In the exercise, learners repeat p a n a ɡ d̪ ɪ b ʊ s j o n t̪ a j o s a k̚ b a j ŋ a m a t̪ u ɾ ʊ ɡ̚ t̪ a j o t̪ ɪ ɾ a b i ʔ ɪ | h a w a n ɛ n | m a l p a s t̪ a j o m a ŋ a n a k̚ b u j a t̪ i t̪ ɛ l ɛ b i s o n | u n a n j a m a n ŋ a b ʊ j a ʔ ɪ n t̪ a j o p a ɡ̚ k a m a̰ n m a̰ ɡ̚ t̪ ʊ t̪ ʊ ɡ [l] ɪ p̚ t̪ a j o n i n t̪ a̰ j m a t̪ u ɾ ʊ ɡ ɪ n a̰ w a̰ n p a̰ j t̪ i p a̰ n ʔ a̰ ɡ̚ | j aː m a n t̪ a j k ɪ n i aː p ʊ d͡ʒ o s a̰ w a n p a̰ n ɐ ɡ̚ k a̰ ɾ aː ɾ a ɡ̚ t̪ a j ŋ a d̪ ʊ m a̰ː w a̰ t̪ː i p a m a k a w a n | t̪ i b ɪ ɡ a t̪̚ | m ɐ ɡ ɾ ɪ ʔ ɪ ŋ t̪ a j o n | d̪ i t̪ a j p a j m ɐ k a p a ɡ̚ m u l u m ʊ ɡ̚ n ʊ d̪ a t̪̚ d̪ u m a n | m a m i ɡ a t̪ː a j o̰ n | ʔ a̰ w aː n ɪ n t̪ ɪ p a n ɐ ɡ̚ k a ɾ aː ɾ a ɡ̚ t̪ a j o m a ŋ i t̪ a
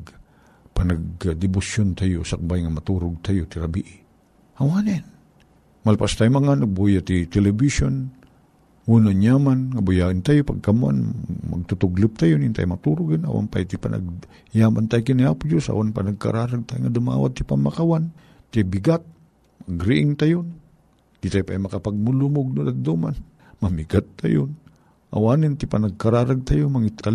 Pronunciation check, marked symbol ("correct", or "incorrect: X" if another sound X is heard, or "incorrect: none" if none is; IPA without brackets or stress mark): correct